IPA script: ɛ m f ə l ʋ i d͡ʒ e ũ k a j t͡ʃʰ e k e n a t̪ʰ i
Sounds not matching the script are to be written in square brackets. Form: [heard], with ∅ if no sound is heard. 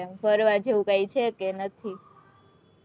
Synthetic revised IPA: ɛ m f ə [ɾ] ʋ [a] d͡ʒ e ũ k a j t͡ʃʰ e k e n [ə] t̪ʰ i